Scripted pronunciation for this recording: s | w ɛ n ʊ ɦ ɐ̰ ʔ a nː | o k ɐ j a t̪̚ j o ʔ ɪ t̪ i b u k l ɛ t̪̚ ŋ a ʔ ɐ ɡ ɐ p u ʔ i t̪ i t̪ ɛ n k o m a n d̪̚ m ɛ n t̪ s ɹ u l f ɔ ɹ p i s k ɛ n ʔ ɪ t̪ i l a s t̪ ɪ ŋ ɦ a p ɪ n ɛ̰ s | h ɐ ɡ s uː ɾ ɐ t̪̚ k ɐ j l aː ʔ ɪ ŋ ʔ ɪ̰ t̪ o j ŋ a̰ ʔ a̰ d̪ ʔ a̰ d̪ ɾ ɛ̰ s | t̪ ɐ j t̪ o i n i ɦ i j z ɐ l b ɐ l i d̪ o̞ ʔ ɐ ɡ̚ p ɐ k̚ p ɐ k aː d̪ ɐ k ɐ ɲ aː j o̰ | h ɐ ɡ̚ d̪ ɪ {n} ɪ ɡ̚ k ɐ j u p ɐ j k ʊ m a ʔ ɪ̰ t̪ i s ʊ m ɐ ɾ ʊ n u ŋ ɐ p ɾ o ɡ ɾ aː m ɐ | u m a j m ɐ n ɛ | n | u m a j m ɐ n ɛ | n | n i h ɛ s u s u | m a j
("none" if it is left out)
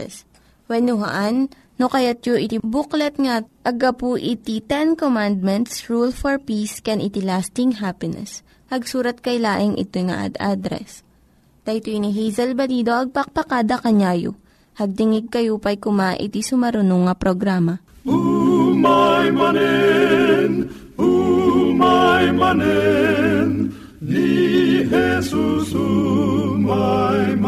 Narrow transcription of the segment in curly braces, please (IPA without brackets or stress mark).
ŋ